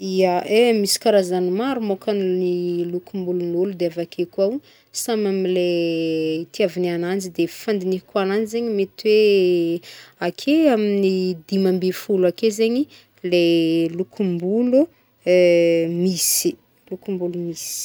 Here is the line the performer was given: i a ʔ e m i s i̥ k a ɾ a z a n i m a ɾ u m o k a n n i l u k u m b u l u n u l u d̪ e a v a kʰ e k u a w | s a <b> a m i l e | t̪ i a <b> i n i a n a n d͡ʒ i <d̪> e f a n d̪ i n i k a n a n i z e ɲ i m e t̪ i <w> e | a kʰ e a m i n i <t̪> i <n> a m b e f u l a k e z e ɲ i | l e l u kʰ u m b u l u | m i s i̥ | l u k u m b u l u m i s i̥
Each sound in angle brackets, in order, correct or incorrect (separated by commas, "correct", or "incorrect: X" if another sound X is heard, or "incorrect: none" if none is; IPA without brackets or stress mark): incorrect: m, incorrect: v, correct, correct, incorrect: d̪, incorrect: m